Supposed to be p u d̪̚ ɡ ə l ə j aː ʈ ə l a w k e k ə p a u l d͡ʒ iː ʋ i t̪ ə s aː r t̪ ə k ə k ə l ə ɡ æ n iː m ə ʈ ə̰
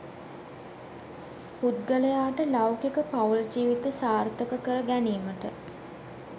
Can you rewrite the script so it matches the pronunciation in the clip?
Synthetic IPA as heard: p u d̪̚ ɡ ə l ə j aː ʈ ə l a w k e k ə p a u l d͡ʒ iː ʋ i t̪ ə s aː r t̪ ə k ə k ə ɾ ə ɡ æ n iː m ə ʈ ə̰